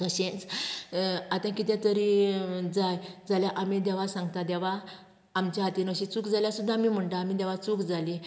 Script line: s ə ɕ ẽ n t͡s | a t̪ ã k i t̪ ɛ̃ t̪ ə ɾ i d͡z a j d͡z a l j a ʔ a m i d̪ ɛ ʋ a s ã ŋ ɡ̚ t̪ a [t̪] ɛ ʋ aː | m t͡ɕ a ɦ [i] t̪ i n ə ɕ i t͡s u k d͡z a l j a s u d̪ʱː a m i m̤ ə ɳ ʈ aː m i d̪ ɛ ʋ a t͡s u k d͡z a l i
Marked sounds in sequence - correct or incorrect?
incorrect: d̪, incorrect: a

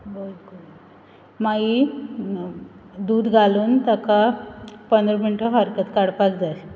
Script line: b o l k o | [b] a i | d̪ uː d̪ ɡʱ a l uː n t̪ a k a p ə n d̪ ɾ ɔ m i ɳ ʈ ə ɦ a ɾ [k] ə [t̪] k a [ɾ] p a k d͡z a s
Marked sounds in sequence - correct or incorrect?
incorrect: m, correct, correct, incorrect: ɽ

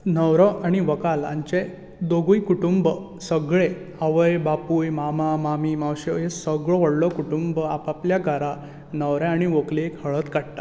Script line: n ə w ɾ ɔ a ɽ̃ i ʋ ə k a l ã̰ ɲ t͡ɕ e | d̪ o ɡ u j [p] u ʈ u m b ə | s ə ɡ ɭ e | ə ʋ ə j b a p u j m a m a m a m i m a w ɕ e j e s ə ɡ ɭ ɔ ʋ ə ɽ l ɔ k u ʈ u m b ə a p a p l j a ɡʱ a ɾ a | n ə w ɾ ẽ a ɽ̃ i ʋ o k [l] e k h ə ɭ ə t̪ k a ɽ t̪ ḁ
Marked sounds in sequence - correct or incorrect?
incorrect: k, correct

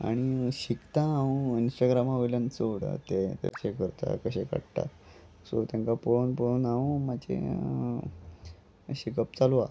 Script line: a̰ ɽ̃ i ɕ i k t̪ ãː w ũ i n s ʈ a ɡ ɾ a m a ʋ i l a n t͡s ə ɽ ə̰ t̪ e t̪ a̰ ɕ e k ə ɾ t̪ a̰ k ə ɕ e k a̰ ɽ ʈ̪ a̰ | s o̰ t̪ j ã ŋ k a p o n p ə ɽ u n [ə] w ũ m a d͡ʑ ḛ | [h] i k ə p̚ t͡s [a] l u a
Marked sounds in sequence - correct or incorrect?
incorrect: a, incorrect: ɕ, correct

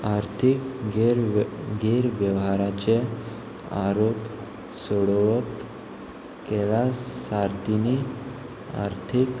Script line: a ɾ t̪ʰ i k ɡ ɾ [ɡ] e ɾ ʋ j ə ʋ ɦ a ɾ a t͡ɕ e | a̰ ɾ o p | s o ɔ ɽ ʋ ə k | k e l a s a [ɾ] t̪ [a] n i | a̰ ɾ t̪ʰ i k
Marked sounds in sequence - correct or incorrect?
correct, correct, incorrect: i

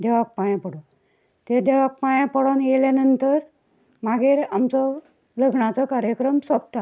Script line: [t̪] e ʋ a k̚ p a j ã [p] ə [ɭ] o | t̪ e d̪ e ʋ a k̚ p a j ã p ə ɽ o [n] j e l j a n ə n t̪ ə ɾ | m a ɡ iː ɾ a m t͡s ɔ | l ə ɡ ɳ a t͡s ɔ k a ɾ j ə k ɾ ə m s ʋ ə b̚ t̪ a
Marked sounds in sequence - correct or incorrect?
incorrect: d̪, correct, incorrect: ɽ, correct

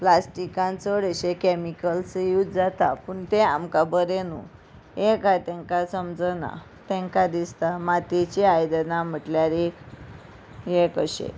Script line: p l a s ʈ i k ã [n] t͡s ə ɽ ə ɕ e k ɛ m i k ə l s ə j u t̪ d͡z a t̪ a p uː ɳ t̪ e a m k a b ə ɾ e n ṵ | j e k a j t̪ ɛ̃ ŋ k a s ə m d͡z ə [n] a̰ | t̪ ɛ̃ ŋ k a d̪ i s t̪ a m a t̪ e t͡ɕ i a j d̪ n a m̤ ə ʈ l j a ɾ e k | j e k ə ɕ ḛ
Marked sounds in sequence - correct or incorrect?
correct, correct

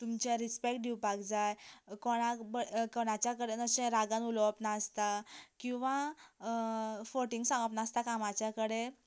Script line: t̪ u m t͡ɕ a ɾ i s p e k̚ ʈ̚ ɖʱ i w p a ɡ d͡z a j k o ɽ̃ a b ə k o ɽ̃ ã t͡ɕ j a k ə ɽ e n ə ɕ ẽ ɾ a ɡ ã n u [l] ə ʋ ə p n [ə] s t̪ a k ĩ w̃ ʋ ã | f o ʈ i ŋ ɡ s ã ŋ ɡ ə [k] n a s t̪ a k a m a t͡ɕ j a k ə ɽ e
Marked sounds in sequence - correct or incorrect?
correct, incorrect: a, incorrect: p

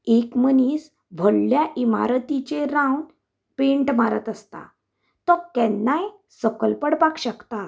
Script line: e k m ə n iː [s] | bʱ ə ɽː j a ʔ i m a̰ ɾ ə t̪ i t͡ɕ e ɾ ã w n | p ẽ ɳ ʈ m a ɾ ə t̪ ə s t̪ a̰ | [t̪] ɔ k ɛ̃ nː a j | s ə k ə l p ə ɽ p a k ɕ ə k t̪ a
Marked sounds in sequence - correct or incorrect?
correct, correct

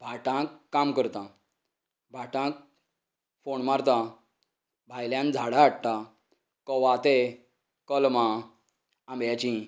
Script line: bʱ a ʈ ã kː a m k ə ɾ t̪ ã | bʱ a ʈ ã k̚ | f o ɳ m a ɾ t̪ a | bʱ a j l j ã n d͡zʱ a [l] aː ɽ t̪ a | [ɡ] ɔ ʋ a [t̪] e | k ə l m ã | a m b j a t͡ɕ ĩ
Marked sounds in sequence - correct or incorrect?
incorrect: ɽ, incorrect: k, correct

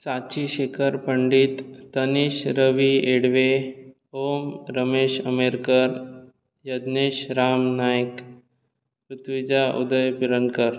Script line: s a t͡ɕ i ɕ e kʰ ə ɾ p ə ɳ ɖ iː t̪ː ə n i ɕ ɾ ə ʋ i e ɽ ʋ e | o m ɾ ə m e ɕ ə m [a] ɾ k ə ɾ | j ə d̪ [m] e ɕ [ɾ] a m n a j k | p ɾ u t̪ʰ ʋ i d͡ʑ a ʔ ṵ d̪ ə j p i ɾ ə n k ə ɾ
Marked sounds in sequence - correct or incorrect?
incorrect: e, incorrect: n, correct

